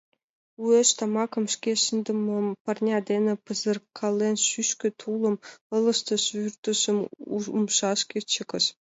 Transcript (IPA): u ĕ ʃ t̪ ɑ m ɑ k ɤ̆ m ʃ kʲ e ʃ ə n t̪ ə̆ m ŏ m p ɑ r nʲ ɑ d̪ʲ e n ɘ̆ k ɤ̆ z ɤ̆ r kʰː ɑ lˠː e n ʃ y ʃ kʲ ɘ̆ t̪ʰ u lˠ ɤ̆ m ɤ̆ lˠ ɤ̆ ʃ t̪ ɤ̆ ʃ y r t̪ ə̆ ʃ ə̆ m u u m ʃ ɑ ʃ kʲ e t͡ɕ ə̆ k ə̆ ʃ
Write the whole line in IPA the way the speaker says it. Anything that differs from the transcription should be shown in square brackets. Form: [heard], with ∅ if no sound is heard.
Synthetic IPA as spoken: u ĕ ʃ t̪ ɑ m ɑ k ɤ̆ m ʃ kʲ e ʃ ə n [d̪] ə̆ m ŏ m p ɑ r nʲ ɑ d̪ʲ e n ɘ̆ [p] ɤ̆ z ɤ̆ r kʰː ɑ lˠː e n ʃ y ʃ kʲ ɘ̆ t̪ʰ u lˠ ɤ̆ m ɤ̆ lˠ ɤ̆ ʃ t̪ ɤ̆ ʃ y r t̪ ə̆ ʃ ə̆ m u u m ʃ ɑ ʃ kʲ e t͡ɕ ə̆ k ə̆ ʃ